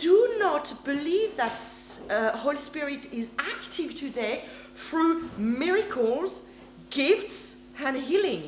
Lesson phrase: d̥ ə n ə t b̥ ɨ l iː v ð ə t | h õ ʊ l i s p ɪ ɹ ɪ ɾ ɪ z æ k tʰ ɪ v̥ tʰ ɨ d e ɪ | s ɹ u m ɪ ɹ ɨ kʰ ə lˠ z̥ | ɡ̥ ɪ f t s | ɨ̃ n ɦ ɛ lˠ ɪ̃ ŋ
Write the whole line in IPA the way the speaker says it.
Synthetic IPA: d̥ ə n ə t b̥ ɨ l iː v ð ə t | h o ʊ l i s p ɪ ɹ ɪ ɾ ɪ z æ k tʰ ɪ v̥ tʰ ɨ d e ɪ | θ ɹ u m ɪ ɹ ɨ kʰ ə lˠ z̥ | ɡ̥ ɪ f t s | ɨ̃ n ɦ i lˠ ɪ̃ ŋ